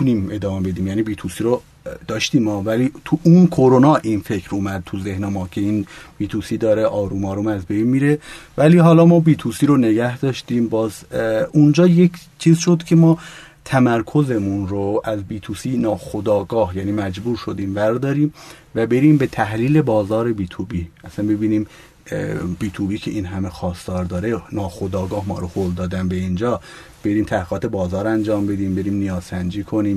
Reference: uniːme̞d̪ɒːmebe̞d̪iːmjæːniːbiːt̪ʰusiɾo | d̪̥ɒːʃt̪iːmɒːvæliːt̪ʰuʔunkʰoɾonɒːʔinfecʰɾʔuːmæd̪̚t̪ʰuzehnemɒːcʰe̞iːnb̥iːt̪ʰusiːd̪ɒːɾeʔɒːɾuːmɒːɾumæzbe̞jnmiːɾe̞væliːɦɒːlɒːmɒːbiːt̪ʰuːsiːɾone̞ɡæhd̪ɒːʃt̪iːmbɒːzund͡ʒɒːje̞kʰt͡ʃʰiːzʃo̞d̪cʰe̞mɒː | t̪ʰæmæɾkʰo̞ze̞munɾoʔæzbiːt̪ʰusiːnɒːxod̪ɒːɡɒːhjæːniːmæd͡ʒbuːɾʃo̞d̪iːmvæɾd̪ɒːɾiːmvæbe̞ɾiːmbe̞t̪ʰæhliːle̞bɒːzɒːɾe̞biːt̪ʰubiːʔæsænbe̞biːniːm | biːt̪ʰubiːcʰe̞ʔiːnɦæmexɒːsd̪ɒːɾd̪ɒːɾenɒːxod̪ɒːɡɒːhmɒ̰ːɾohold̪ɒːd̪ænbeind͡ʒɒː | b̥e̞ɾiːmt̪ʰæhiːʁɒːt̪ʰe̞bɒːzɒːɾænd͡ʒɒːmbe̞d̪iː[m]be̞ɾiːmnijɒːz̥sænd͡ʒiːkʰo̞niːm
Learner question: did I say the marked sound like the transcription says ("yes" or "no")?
yes